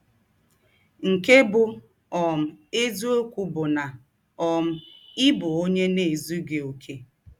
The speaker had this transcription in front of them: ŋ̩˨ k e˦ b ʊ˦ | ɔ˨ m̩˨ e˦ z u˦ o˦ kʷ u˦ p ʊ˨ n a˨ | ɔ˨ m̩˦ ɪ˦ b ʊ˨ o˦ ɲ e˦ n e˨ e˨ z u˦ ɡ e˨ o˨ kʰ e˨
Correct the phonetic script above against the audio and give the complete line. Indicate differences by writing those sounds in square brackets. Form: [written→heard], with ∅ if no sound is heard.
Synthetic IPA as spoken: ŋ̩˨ k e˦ b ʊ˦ | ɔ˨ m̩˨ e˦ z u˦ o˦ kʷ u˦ [p→b] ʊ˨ n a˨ | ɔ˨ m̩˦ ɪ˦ b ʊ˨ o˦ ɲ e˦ n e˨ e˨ z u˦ ɡ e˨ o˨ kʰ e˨